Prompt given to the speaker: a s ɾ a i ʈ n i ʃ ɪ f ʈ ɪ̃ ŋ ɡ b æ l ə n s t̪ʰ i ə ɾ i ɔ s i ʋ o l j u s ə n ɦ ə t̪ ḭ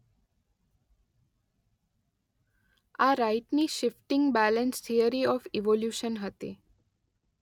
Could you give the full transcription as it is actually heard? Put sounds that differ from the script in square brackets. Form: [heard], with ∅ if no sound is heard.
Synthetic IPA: a [∅] ɾ a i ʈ n i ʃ ɪ f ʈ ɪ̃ ŋ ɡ b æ l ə n s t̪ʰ i ə ɾ i ɔ [f] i ʋ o l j u [ʃ] ə n ɦ ə t̪ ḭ